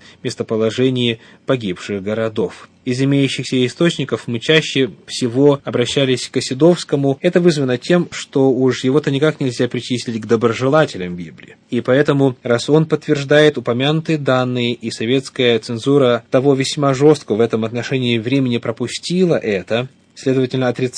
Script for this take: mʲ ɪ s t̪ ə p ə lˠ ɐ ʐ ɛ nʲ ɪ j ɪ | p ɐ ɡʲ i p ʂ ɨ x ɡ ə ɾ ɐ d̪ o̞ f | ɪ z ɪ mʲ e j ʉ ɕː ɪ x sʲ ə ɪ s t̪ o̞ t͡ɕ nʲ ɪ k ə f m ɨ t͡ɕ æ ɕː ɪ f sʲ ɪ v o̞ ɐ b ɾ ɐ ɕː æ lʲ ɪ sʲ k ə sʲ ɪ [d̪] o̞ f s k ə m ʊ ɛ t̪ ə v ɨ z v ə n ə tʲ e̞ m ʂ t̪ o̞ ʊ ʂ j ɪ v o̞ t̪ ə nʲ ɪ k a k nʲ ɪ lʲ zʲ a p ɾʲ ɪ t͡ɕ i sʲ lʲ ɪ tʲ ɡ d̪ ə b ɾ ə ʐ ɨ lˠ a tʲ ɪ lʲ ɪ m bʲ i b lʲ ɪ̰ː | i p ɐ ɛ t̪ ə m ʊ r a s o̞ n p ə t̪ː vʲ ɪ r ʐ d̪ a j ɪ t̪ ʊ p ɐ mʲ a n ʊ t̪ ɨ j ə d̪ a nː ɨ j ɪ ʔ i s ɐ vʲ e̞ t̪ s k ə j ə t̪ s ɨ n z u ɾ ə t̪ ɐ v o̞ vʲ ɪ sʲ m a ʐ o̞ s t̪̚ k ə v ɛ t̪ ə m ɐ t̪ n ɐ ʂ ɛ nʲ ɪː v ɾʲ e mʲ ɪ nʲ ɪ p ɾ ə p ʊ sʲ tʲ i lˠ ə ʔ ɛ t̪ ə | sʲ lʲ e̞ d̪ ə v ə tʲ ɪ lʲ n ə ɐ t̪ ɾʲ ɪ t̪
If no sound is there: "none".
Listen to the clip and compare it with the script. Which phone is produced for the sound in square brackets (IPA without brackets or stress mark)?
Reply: d̪